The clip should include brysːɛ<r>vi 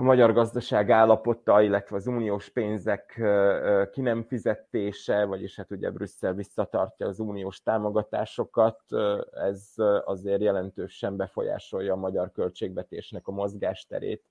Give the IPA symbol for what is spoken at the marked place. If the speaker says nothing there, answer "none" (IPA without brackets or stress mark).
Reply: l